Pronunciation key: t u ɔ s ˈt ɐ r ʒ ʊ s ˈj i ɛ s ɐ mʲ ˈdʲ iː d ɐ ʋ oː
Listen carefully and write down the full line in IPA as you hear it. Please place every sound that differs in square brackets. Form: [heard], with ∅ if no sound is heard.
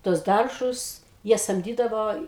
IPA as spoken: t u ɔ s [ˈd] ɐ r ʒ ʊ s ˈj i ɛ s ɐ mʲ ˈdʲ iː d ɐ ʋ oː